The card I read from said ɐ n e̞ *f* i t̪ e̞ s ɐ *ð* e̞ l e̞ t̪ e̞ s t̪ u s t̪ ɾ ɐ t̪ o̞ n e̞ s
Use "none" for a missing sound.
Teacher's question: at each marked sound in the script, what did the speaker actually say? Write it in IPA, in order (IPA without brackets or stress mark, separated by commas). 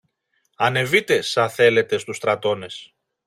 v, θ